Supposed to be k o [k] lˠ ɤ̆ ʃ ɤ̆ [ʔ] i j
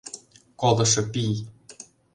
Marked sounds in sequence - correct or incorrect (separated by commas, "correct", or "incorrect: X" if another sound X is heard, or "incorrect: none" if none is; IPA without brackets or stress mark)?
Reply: incorrect: none, incorrect: p